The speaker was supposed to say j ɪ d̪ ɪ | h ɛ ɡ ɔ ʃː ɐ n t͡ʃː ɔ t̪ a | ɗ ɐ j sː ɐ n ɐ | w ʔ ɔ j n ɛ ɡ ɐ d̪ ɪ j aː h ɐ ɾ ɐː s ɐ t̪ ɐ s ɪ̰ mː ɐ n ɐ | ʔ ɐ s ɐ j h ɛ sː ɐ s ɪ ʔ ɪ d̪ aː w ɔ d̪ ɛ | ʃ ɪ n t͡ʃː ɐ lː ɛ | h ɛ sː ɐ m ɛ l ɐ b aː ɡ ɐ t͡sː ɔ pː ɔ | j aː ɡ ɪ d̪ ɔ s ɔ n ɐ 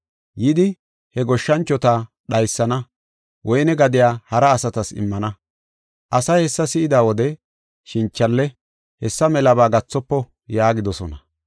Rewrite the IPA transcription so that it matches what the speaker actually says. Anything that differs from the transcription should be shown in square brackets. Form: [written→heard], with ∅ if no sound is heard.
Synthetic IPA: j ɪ d̪ ɪ | h ɛ ɡ ɔ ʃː ɐ n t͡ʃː ɔ t̪ a | ɗ ɐ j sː ɐ n ɐ | w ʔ ɔ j n ɛ ɡ ɐ d̪ ɪ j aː h ɐ ɾ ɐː s ɐ t̪ ɐ s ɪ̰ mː ɐ n ɐ | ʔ ɐ s ɐ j h ɛ sː ɐ s ɪ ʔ ɪ d̪ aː w ɔ d̪ ɛ | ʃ ɪ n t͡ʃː ɐ lː ɛ | h ɛ sː ɐ m ɛ l ɐ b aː ɡ ɐ t͡sː ɔ pː ɔ | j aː ɡ ɪ d̪ ɔ s ɔ n ɐ